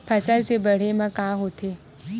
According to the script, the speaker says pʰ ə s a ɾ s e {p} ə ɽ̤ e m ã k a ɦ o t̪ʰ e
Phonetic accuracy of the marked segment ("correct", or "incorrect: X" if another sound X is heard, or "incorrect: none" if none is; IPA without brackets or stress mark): incorrect: b